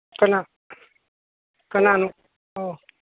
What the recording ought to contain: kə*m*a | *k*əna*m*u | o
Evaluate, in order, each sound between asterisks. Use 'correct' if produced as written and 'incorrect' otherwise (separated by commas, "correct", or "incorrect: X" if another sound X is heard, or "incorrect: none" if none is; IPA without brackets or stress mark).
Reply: incorrect: n, correct, incorrect: n